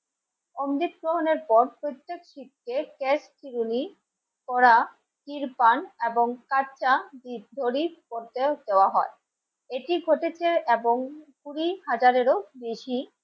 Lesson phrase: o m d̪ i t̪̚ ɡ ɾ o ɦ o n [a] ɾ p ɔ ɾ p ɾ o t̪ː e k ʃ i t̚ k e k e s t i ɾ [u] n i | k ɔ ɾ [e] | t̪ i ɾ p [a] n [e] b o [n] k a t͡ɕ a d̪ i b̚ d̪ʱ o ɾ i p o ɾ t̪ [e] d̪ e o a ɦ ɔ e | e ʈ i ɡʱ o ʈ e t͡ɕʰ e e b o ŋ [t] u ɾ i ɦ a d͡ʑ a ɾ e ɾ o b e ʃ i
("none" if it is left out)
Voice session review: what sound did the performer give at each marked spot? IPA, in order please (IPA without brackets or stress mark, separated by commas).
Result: e, u, a, a, e, ŋ, e, k